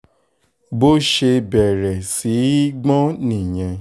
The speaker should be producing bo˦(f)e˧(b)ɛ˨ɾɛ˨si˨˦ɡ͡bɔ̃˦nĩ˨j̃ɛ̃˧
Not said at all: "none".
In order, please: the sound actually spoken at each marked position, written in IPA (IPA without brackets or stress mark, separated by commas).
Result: ʃ, b